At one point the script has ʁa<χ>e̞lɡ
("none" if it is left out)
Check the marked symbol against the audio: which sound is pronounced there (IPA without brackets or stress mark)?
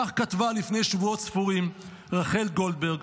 χ